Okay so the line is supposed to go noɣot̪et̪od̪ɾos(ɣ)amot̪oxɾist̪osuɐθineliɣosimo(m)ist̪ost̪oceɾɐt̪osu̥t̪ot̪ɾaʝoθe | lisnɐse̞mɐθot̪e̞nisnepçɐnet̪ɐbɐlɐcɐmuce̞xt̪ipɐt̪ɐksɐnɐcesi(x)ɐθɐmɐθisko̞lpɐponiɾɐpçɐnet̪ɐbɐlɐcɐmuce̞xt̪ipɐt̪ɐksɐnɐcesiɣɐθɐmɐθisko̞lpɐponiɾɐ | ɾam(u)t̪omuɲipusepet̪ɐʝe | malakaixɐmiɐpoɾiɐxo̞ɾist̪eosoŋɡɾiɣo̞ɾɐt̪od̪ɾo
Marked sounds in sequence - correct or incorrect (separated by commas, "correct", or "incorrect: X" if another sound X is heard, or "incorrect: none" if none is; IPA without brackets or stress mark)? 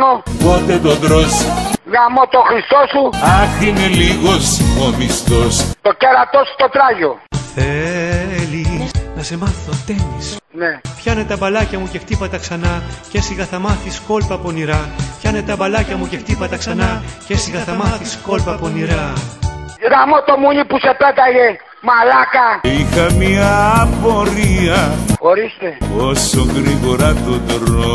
correct, correct, incorrect: ɣ, incorrect: o